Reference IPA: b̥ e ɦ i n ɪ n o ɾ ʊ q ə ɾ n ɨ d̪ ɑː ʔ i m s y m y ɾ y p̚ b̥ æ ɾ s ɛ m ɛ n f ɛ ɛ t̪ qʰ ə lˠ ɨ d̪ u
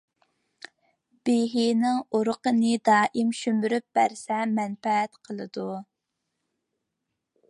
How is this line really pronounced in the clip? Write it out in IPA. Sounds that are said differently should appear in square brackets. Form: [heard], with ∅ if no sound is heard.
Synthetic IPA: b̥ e ɦ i n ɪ [ŋ] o ɾ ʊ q ə [∅] n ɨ d̪ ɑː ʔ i m [ʃ] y m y ɾ y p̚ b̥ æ ɾ s ɛ m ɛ n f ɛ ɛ t̪ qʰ ə lˠ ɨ d̪ u